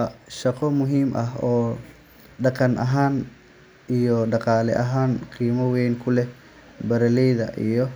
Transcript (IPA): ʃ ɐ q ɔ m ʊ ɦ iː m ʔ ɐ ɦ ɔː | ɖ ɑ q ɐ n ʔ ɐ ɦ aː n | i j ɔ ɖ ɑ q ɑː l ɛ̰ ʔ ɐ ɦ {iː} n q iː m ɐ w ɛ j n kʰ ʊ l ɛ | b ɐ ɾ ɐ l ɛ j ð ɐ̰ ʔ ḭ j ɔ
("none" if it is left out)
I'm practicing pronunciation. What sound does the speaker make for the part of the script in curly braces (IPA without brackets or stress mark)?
aː